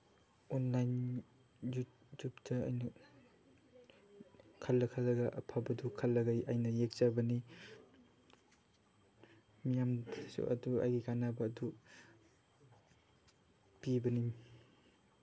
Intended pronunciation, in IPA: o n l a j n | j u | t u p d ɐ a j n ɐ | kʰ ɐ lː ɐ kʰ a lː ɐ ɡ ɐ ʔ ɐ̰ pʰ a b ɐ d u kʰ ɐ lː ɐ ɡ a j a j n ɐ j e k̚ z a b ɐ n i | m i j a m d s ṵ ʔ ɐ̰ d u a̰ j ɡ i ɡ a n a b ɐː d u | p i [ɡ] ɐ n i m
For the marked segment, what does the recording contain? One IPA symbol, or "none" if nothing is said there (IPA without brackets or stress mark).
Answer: b